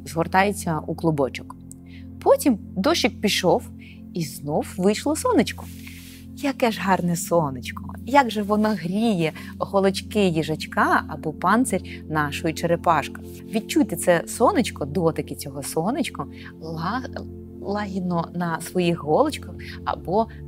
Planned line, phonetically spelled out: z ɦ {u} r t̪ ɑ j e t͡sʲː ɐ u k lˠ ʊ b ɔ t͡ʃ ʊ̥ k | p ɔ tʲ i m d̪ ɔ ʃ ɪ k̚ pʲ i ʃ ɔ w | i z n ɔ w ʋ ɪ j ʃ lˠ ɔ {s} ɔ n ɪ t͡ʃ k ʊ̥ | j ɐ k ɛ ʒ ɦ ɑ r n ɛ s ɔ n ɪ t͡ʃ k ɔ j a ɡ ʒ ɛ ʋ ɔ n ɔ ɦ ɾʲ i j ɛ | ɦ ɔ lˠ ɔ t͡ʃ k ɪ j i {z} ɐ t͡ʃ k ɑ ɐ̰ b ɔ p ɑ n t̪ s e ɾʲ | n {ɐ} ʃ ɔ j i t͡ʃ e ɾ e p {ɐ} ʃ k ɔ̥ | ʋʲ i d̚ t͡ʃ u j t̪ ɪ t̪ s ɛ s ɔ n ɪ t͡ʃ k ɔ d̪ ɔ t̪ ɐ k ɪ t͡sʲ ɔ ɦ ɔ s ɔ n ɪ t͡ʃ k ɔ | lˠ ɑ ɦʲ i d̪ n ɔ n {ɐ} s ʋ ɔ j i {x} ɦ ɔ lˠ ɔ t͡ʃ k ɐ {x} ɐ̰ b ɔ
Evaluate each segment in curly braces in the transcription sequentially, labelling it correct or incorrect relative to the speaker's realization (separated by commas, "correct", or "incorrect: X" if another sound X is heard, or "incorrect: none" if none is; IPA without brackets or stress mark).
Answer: incorrect: ɔ, correct, incorrect: ʒ, incorrect: ɑ, incorrect: ɑ, correct, correct, correct